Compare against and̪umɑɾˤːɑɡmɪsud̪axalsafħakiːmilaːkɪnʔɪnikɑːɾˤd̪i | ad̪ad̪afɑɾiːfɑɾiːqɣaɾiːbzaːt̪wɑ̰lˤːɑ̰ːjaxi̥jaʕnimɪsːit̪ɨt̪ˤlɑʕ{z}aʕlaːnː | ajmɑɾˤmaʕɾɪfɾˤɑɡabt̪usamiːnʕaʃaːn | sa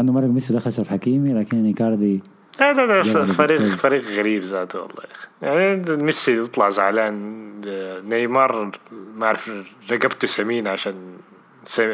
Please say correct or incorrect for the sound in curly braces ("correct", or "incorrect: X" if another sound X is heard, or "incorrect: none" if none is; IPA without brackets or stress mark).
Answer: correct